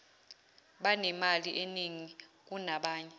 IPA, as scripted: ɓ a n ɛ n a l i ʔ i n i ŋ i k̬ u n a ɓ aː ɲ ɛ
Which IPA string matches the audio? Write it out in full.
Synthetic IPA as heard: ɓ a n ɛ m a l i ʔ e n i ŋ i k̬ u n a ɓ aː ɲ ɛ